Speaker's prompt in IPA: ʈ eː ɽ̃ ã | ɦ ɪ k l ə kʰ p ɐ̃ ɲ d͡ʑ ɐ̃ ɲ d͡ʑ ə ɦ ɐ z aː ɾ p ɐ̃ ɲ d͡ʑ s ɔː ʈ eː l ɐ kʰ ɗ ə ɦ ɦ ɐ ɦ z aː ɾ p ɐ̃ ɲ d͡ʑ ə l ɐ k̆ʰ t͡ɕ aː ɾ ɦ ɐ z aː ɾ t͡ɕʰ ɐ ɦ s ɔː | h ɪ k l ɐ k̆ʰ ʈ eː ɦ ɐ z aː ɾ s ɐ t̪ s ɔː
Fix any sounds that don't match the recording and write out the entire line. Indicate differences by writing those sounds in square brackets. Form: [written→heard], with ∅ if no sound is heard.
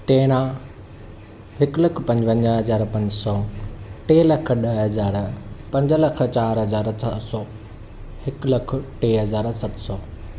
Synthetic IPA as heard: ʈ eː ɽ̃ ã | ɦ ɪ k l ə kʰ p ɐ̃ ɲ d͡ʑ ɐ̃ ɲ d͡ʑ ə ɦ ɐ z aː ɾ p ɐ̃ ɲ d͡ʑ s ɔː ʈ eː l ɐ kʰ ɗ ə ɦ ɦ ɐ [ɦ→∅] z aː ɾ p ɐ̃ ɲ d͡ʑ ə l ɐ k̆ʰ t͡ɕ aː ɾ ɦ ɐ z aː ɾ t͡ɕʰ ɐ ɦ s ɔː | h ɪ k l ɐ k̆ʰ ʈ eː ɦ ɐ z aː ɾ s ɐ t̪ s ɔː